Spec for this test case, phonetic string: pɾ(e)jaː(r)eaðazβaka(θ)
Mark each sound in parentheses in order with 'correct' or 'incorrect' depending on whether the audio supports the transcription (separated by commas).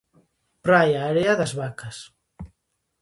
incorrect, incorrect, incorrect